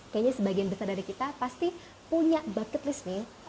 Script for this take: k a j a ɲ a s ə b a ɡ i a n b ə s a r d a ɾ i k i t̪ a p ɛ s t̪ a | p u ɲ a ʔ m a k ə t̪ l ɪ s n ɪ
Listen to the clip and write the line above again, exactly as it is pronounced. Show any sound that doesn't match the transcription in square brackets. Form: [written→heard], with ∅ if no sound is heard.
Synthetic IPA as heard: k a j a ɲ a s ə b a ɡ i a n b ə s a r d a ɾ i k i t̪ a p [ɛ→a] s t̪ [a→i] | p u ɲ a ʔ [m→b] a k ə t̪ l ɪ s n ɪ